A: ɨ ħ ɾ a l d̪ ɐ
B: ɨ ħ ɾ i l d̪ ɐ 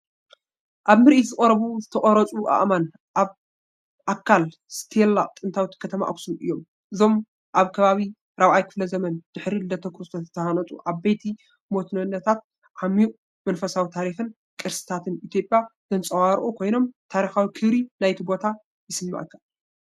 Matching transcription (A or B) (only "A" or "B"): B